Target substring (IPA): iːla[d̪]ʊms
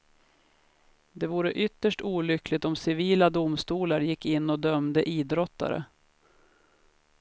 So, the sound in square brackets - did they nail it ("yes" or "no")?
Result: yes